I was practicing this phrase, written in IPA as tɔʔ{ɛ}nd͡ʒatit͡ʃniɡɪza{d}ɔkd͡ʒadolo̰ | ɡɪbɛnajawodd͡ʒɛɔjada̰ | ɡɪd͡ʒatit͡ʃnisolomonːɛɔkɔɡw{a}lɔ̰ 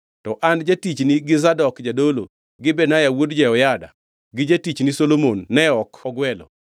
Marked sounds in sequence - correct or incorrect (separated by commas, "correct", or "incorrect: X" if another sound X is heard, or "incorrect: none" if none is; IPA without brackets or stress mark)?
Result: incorrect: a, correct, incorrect: ɛ